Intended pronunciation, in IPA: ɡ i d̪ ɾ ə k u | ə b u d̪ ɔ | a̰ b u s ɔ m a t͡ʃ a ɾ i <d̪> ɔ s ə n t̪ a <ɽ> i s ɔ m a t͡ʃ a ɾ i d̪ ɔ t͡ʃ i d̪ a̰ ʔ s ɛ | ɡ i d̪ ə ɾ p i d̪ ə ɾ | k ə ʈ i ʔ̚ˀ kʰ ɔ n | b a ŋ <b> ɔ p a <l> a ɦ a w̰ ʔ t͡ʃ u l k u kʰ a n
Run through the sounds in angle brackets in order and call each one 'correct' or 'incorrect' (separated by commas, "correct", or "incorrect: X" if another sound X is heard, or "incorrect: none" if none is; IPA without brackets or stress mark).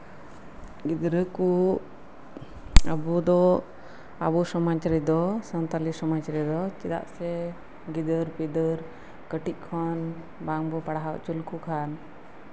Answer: correct, incorrect: l, correct, incorrect: ɽ